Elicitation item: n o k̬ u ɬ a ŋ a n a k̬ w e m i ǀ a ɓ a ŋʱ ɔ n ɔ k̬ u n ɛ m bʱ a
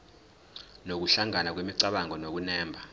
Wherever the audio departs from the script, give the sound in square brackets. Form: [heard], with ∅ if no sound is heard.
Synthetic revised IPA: n o k̬ u ɬ a ŋ a n a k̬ w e m i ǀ a ɓ a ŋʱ ɔ n [o] k̬ u n [ɛː] m bʱ a